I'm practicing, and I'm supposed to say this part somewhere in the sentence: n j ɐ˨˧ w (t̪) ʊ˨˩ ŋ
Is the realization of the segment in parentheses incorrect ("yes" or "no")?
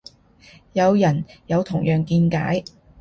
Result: yes